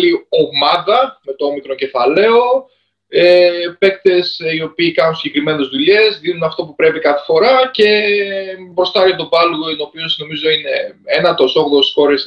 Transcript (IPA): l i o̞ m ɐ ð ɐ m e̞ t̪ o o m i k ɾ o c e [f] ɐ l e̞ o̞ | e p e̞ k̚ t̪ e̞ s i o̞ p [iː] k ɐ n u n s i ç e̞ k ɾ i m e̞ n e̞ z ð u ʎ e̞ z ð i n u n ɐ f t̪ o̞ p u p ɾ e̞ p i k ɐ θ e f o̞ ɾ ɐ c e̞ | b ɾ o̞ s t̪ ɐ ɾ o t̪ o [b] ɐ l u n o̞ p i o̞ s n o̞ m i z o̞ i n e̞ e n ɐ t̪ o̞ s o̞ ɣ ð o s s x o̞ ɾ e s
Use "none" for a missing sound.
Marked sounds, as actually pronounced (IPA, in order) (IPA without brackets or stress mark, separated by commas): f, iː, b